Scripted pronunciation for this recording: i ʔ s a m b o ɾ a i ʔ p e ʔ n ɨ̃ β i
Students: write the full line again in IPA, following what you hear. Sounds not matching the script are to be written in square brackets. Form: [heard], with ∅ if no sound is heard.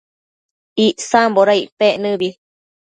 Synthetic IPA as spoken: i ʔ s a m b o ɾ a i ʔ p e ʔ n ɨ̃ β i

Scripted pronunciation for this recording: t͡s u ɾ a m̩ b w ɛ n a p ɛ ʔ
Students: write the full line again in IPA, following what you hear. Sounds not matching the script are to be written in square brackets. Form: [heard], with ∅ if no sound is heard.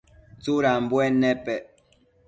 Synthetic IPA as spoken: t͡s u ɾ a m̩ b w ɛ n [ɛ] p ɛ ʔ

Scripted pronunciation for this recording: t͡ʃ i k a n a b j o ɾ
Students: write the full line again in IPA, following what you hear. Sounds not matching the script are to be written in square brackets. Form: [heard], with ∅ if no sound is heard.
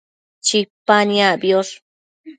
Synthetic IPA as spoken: t͡ʃ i [p] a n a b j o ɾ

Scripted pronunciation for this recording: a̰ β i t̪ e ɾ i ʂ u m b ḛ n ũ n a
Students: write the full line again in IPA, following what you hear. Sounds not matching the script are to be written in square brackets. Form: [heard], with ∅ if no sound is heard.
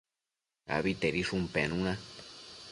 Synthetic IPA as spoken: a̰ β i t̪ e ɾ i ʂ u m [p] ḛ n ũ n a

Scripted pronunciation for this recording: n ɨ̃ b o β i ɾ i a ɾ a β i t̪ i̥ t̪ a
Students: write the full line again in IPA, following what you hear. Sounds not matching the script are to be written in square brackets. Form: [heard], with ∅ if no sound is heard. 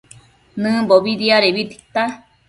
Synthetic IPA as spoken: n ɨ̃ b o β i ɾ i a ɾ [e] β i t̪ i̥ t̪ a

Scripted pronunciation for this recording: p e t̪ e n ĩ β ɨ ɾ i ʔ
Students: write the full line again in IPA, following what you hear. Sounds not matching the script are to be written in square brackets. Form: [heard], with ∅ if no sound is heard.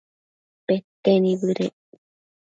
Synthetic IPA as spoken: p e t̪ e n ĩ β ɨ ɾ [e] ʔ

